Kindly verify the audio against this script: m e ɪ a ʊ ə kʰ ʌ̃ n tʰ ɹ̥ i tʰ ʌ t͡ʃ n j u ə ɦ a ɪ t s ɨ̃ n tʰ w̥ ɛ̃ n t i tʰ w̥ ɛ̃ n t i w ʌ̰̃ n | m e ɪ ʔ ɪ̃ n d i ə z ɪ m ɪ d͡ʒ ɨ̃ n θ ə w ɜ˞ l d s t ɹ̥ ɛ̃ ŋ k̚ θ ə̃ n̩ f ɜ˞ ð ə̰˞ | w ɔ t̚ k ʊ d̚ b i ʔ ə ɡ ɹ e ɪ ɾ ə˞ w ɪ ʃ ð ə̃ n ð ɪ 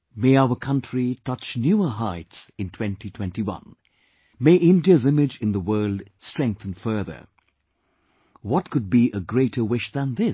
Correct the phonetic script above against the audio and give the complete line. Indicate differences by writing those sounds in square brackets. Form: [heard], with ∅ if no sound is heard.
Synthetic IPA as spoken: m e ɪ a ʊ ə kʰ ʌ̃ n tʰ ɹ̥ i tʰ ʌ t͡ʃ n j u ə ɦ a ɪ t s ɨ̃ n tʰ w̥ ɛ̃ n t i tʰ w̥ ɛ̃ n t i w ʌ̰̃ n | m e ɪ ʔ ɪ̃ n d i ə z ɪ m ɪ d͡ʒ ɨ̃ n [ð] ə w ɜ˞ l d s t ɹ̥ ɛ̃ ŋ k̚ θ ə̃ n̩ f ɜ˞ ð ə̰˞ | w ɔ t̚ k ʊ d̚ b i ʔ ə ɡ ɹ e ɪ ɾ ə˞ w ɪ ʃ ð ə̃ n ð ɪ